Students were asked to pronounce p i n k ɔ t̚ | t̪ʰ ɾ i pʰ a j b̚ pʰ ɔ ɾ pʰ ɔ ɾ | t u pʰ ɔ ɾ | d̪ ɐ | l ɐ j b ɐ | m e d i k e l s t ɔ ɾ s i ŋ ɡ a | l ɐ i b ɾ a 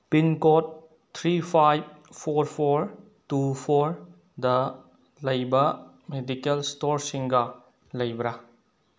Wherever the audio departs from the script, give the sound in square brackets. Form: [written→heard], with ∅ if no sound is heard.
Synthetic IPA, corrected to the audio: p i n k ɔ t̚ | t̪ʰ ɾ i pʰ a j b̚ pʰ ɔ ɾ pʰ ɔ ɾ | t u pʰ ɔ ɾ | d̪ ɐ | l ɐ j b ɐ | m e d i k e l s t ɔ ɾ s i ŋ ɡ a | l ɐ [i→j] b ɾ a